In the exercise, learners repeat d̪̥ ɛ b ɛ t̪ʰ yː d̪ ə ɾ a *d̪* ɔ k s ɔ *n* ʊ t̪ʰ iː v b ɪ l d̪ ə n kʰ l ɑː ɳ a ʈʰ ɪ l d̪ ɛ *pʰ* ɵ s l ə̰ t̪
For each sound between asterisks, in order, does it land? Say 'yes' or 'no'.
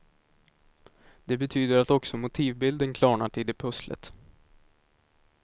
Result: no, no, yes

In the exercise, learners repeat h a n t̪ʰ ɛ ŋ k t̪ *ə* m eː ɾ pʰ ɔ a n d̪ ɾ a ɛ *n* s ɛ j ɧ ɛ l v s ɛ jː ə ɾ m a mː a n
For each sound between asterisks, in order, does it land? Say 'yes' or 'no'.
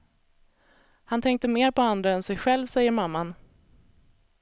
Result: yes, yes

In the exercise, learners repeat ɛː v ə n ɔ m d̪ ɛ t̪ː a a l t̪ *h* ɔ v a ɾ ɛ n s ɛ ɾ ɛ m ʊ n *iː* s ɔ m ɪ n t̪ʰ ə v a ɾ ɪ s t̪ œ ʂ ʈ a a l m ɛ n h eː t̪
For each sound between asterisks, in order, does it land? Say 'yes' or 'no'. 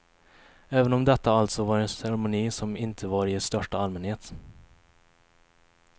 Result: no, yes

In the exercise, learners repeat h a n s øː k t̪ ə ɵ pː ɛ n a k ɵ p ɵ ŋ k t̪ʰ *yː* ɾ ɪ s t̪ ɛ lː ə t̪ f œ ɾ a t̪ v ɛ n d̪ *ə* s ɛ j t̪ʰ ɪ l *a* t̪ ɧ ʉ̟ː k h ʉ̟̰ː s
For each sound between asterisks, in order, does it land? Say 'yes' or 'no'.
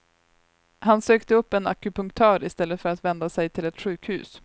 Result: no, no, no

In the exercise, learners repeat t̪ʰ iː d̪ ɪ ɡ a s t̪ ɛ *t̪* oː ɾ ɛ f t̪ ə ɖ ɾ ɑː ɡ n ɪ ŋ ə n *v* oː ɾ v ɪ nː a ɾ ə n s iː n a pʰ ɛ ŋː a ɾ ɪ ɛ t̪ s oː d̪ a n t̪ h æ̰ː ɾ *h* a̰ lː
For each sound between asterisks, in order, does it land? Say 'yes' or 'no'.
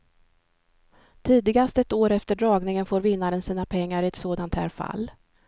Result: yes, no, no

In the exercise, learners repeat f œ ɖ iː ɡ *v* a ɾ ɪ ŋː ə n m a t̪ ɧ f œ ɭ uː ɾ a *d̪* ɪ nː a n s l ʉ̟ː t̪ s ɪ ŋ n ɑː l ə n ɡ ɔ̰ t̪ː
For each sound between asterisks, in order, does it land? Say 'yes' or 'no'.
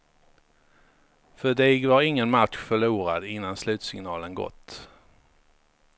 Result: yes, yes

